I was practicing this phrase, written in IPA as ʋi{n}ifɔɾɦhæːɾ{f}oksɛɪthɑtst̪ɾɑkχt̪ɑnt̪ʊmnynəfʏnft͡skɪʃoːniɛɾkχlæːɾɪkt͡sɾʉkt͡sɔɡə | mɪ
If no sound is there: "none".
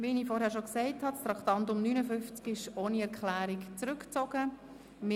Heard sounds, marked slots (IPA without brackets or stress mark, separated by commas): n, ʃ